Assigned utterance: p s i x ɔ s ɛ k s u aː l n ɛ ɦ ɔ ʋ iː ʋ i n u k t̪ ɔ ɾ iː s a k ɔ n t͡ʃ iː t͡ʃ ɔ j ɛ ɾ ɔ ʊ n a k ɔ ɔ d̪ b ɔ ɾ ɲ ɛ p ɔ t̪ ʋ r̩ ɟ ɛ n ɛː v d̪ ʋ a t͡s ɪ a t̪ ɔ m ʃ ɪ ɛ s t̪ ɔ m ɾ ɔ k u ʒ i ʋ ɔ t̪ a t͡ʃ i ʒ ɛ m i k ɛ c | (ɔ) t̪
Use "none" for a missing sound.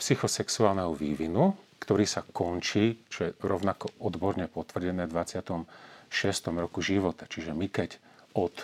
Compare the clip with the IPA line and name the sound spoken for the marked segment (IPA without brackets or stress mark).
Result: ɔ